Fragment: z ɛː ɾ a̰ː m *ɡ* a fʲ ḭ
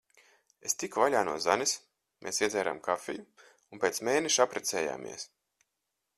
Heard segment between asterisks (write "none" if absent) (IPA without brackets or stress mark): k